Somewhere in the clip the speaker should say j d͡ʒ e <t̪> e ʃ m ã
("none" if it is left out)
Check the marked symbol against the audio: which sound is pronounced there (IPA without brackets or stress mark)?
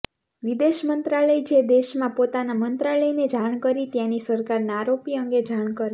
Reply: d̪